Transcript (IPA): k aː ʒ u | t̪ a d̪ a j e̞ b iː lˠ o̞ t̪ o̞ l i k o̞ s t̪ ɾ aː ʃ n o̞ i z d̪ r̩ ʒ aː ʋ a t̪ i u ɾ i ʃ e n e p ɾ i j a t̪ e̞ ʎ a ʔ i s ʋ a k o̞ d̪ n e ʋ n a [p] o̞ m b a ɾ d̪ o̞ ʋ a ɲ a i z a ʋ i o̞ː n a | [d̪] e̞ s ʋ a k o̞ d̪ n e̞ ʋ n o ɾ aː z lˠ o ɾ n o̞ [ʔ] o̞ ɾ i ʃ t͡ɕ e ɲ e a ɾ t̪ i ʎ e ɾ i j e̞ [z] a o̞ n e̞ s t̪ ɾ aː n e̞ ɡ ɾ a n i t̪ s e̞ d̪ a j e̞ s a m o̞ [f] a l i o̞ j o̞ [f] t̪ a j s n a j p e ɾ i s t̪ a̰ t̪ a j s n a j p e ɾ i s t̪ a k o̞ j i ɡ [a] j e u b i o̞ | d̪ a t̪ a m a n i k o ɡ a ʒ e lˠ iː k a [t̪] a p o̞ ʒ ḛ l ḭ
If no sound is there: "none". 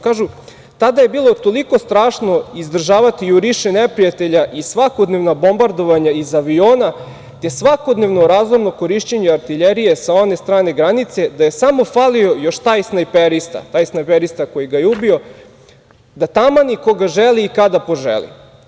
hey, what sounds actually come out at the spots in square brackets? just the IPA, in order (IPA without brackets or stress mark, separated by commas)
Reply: b, t̪, k, s, f, ʃ, a, d̪